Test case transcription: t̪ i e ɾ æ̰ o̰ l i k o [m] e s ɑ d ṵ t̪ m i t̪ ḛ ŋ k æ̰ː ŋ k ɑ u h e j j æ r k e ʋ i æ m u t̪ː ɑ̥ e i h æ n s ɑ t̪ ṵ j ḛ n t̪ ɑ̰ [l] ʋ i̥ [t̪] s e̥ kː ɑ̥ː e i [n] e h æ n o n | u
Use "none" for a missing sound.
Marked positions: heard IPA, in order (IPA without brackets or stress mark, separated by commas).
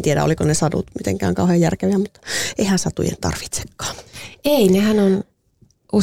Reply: n, r, t̪, n